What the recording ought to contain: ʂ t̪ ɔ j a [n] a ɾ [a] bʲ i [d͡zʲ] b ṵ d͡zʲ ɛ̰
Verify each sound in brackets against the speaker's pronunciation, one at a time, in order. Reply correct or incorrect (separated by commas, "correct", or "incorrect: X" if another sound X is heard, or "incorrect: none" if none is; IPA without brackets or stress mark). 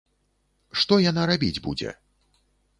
correct, correct, correct